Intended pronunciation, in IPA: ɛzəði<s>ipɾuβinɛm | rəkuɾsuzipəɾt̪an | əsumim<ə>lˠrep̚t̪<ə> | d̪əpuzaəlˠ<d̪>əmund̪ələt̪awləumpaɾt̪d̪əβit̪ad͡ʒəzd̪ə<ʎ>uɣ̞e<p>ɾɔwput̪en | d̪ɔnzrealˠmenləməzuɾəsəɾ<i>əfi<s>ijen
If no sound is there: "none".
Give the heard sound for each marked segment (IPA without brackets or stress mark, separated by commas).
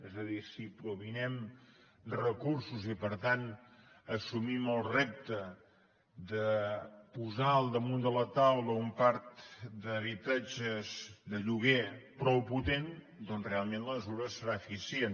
s, ə, ə, d̪, ʎ, p, a, s